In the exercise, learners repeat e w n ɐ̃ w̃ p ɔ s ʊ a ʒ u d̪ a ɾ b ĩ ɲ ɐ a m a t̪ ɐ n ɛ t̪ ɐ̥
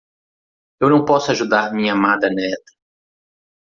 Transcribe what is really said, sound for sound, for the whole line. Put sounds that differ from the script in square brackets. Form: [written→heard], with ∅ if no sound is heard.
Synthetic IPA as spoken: e w n ɐ̃ w̃ p ɔ s ʊ a ʒ u d̪ a ɾ [b→m] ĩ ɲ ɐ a m a [t̪→d̪] ɐ n ɛ t̪ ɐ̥